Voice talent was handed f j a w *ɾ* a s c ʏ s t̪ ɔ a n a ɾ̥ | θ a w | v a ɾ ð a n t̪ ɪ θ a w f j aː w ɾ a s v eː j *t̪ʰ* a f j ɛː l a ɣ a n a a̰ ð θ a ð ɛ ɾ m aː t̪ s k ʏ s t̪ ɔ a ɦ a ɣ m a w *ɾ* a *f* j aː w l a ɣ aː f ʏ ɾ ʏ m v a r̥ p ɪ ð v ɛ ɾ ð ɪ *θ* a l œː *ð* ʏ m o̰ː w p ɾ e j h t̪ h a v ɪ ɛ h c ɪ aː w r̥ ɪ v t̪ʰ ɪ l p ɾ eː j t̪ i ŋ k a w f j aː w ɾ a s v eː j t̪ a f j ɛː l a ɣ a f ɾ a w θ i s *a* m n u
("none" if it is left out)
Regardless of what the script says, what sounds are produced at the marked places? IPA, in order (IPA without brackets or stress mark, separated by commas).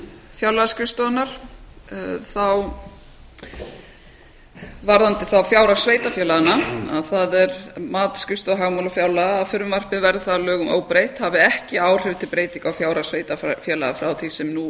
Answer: l, t̪, l, f, θ, ɣ, ɛ